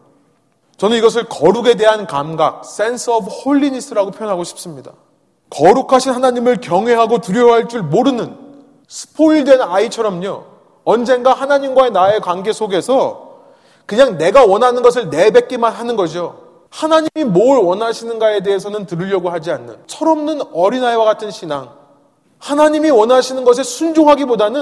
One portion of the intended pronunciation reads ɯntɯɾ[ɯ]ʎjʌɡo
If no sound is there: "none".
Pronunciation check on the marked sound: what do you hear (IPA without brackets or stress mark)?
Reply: ɯ